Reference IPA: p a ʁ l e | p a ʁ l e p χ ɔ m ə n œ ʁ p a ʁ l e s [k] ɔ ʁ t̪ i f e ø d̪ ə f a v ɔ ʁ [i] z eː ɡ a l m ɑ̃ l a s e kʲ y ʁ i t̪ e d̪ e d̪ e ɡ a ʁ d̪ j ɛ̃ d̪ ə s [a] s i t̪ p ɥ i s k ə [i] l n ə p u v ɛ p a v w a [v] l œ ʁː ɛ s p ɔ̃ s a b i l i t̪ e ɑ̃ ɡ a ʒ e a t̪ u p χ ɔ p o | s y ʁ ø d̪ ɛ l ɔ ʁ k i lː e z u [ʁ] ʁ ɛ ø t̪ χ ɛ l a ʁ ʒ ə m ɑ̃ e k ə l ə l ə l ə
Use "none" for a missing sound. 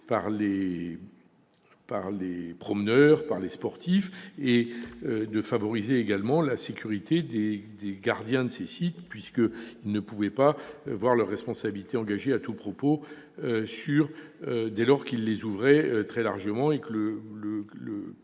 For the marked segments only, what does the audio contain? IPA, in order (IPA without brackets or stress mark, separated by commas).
p, i, e, i, ʁ, v